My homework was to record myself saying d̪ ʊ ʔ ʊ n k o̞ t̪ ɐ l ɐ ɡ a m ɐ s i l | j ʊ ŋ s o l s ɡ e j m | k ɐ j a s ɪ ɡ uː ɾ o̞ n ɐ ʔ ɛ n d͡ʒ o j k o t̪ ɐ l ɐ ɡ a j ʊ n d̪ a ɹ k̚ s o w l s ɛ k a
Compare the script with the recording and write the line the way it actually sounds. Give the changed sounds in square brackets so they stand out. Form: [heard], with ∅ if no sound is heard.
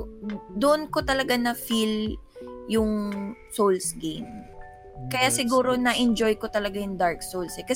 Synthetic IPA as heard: d̪ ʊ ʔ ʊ n k o̞ t̪ ɐ l ɐ ɡ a [n] ɐ [f] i l | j ʊ ŋ s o l s ɡ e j m | k ɐ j a s ɪ ɡ uː ɾ o̞ n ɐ ʔ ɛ n d͡ʒ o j k o t̪ ɐ l ɐ ɡ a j ʊ [ŋ] d̪ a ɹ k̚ s o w l s ɛ k [ɐ]